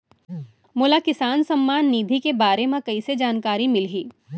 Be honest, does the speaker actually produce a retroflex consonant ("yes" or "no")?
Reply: no